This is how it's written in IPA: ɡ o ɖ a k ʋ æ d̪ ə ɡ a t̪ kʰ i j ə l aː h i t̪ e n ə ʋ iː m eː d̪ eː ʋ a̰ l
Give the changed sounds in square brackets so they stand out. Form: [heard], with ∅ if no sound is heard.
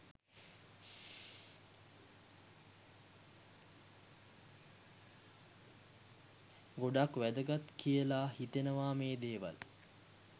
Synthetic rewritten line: ɡ o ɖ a k ʋ æ d̪ ə ɡ a t̪ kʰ i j ə l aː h i t̪ e n ə ʋ [aː] m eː d̪ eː ʋ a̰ l